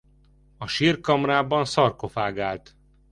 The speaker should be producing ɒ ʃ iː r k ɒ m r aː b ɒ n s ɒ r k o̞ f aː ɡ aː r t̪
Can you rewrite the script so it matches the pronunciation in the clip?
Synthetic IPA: ɒ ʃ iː r k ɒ m r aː b ɒ n s ɒ r k o̞ f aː ɡ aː l t̪